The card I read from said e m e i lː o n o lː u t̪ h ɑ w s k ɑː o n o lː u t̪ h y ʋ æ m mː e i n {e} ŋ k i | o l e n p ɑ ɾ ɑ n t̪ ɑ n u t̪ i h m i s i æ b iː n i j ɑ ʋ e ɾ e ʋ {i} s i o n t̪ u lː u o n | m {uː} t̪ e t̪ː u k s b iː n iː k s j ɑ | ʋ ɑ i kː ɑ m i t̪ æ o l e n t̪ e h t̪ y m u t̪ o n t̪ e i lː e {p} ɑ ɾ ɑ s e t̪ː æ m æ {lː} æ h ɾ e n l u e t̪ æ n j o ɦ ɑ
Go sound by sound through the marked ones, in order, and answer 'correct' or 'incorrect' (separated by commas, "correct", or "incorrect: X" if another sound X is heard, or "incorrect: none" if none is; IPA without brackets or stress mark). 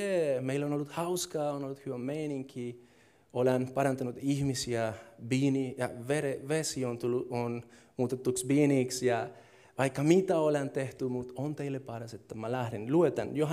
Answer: incorrect: i, incorrect: e, correct, correct, incorrect: l